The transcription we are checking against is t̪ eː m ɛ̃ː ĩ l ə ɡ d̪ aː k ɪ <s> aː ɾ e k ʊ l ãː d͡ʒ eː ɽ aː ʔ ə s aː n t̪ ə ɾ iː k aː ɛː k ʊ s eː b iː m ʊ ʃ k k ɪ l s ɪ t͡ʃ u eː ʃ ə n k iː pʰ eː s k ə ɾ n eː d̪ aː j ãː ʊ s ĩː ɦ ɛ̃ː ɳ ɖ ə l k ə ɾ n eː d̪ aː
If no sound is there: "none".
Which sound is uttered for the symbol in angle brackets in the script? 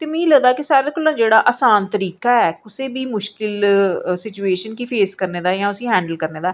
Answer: s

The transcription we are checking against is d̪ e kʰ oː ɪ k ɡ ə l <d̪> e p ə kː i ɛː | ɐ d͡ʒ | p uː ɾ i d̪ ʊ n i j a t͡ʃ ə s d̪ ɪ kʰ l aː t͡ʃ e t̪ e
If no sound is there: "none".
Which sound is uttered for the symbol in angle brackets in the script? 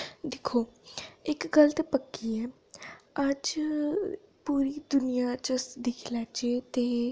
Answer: t̪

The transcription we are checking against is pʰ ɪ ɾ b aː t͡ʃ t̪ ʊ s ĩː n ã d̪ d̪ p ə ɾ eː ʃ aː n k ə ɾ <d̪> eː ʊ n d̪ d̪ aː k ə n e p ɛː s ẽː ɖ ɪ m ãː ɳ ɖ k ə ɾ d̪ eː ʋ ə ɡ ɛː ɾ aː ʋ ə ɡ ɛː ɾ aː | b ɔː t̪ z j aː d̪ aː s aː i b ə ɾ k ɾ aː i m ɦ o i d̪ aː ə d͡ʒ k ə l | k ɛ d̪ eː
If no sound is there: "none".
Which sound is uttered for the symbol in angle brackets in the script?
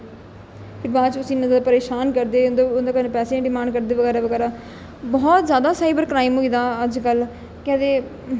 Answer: d̪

